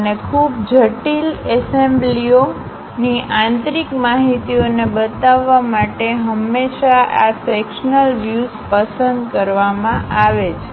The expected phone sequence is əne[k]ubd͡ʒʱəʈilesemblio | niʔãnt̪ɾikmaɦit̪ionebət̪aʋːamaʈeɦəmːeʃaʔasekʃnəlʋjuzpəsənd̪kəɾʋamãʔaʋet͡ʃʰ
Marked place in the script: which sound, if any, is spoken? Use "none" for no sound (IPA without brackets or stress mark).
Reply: kʰ